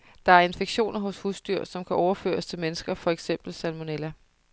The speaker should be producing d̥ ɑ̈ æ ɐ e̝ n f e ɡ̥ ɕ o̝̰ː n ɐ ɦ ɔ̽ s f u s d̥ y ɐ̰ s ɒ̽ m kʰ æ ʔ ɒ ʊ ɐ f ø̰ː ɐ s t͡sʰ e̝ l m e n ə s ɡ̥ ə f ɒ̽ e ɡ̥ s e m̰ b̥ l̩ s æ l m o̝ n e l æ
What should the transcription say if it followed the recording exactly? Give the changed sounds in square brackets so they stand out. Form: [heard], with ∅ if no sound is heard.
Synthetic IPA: d̥ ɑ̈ æ ɐ e̝ n f e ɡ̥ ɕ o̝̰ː n ɐ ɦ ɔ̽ s [h] u s d̥ y ɐ̰ s ɒ̽ m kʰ æ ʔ ɒ ʊ ɐ f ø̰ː ɐ s t͡sʰ e̝ l m e n ə s ɡ̥ [ɐ] f ɒ̽ e ɡ̥ s e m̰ b̥ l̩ s æ l m o̝ n e l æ